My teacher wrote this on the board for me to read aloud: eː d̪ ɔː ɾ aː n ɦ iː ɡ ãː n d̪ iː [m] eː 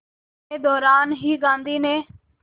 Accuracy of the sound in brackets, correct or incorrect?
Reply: incorrect